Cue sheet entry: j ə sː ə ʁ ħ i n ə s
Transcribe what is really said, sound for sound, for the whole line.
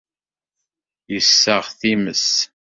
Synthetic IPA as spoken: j ə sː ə ʁ θ i m ə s